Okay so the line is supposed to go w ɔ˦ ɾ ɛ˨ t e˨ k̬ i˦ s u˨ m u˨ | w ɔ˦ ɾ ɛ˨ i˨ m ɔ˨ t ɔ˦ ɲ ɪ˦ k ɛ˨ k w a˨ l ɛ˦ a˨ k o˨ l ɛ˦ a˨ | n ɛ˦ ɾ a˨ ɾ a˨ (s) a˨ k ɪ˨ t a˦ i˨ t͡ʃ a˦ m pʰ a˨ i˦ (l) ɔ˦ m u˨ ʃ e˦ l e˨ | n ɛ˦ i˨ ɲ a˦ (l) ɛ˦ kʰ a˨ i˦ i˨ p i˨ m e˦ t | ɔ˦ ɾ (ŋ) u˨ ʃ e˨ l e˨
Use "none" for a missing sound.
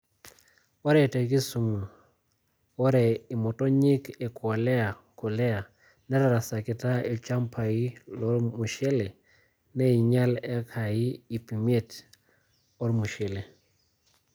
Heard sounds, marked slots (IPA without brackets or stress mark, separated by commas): s, l, l, m